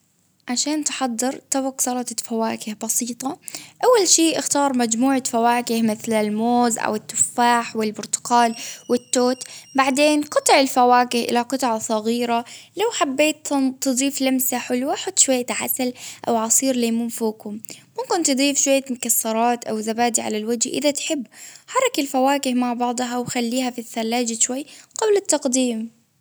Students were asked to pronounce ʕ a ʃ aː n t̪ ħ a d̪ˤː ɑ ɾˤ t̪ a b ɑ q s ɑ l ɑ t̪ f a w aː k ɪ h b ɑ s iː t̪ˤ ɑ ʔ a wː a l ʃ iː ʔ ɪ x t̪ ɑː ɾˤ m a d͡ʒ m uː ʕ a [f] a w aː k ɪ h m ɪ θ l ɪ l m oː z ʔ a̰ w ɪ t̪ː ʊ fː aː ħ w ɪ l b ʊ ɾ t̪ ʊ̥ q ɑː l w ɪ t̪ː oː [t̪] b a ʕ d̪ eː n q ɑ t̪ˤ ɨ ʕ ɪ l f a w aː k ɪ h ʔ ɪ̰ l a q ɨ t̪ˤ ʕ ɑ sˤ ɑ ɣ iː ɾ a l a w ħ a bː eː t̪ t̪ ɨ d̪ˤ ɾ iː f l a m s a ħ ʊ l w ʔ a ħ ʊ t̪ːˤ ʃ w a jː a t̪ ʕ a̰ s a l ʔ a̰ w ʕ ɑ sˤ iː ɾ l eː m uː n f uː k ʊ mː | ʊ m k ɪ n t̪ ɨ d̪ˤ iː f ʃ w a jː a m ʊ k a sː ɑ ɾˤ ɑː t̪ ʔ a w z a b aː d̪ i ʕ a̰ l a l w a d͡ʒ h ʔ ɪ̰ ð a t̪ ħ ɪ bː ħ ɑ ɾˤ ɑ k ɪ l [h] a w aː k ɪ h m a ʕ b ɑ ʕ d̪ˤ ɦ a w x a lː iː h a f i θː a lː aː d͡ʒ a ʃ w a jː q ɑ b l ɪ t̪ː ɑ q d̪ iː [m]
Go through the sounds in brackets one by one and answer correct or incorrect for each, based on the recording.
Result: correct, correct, incorrect, correct

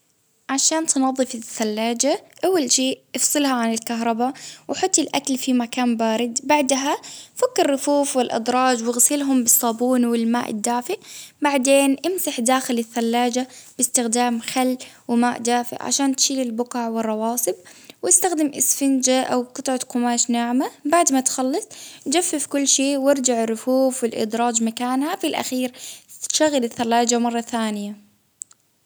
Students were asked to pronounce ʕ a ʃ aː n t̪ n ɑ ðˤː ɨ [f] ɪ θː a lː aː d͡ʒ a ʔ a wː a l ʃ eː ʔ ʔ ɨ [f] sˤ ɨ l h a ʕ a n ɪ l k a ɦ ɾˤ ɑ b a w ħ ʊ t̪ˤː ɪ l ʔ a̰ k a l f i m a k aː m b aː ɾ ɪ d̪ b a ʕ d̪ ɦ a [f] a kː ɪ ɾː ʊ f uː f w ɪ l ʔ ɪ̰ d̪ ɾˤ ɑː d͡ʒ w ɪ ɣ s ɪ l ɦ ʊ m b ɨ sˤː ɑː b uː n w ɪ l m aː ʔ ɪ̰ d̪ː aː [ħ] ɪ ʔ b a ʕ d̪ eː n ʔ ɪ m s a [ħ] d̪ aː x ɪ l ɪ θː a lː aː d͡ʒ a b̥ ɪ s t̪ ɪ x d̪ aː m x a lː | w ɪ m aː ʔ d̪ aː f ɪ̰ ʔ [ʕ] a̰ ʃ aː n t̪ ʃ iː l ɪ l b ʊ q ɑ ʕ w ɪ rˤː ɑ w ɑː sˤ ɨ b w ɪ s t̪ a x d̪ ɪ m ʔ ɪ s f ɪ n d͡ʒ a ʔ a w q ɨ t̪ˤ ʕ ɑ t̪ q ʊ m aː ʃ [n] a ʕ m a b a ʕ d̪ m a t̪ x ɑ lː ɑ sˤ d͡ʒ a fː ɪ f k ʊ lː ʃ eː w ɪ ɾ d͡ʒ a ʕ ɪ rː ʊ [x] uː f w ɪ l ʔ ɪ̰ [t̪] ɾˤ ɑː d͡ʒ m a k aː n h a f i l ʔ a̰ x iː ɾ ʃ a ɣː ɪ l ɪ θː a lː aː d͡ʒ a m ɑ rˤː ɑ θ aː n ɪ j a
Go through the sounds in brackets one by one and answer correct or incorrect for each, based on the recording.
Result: correct, correct, correct, incorrect, correct, correct, correct, incorrect, incorrect

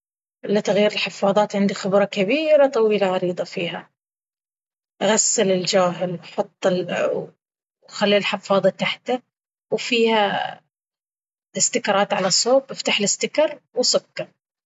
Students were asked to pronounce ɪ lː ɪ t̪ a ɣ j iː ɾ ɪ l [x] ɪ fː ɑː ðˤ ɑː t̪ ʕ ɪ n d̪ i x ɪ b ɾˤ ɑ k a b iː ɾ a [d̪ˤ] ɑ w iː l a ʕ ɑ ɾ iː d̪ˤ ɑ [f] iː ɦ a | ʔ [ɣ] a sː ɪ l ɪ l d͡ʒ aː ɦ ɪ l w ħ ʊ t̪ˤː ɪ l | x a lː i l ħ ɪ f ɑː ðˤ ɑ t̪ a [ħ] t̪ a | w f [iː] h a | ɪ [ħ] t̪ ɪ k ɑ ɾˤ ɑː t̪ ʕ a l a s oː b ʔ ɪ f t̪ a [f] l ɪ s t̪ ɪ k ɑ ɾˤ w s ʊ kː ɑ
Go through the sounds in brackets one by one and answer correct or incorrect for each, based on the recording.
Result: incorrect, incorrect, correct, correct, correct, correct, incorrect, incorrect

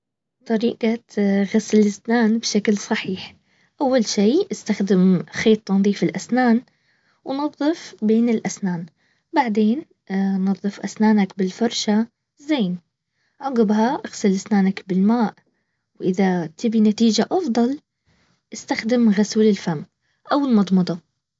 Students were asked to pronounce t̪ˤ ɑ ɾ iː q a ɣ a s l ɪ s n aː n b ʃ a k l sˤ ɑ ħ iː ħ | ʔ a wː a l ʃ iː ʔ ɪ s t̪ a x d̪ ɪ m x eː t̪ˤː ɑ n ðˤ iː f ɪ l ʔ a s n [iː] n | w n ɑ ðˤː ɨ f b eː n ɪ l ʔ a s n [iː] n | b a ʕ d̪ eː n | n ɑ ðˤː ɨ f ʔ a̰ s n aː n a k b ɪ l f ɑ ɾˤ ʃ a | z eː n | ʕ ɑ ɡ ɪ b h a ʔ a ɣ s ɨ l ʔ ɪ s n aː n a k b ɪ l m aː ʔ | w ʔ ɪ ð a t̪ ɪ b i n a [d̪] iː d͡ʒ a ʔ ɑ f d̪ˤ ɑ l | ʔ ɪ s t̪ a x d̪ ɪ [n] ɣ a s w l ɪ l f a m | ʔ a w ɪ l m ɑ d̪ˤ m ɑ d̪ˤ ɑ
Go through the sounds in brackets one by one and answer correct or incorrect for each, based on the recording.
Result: incorrect, incorrect, incorrect, incorrect

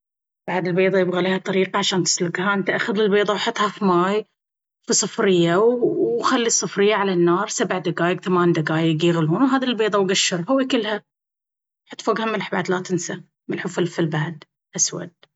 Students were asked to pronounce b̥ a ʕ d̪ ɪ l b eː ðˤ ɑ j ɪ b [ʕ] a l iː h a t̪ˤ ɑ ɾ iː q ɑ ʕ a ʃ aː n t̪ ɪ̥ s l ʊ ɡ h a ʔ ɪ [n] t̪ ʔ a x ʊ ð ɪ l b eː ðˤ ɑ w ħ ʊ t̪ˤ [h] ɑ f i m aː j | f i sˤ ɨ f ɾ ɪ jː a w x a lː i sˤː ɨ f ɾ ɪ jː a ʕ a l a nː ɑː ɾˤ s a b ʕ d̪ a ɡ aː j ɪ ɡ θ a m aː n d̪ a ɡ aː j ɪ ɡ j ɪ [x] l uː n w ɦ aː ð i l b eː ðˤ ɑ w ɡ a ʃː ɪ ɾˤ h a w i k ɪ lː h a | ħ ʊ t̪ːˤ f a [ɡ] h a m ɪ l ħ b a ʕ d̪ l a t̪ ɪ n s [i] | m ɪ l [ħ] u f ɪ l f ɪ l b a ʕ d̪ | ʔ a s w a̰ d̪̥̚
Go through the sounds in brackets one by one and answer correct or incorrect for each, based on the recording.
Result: incorrect, correct, correct, incorrect, correct, incorrect, correct

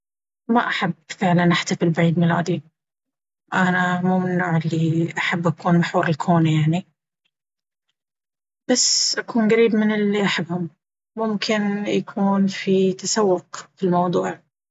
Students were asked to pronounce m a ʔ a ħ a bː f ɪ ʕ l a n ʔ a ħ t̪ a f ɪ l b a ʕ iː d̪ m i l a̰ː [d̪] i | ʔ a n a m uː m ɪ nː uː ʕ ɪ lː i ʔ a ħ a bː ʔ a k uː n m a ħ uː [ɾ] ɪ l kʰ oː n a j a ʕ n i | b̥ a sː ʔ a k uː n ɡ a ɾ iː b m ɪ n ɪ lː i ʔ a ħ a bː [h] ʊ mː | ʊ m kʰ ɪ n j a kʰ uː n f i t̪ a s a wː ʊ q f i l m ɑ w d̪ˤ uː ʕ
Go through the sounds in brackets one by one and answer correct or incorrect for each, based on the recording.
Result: correct, correct, correct

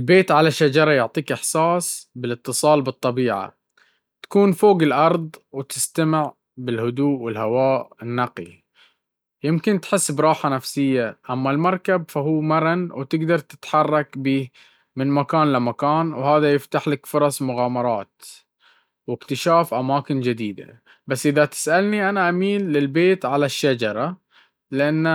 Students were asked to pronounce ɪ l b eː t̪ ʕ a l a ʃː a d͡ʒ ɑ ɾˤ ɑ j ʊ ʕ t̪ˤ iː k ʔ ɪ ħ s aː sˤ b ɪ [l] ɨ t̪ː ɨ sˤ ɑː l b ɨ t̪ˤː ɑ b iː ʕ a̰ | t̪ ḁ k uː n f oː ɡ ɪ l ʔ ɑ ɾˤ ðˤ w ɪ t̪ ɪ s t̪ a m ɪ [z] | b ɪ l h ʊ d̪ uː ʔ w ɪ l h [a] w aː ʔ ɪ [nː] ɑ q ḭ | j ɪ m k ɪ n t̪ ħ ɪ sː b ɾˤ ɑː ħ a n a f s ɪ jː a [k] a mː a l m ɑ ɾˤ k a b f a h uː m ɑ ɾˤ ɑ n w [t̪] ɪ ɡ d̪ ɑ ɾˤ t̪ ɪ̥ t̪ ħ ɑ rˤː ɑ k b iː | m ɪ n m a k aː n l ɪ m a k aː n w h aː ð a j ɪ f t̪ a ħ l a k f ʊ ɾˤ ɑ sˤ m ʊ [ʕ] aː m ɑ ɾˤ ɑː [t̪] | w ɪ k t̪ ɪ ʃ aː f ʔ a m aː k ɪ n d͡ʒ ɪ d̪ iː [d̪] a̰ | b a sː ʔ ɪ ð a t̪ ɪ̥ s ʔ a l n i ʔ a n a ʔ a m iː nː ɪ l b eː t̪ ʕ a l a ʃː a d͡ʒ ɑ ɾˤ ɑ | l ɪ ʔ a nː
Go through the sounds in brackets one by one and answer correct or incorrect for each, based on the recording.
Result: correct, incorrect, correct, correct, incorrect, correct, incorrect, correct, correct

